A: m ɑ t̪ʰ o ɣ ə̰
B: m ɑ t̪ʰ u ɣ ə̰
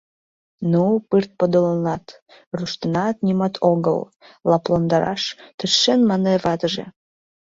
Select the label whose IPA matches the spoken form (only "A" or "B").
A